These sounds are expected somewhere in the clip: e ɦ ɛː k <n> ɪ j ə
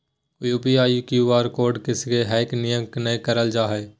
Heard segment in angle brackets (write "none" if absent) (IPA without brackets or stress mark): n